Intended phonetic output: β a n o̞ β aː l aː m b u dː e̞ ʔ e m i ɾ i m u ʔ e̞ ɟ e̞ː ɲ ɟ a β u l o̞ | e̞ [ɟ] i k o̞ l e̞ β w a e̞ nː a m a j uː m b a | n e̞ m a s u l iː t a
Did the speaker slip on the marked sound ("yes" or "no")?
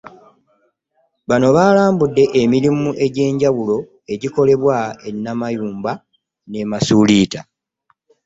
no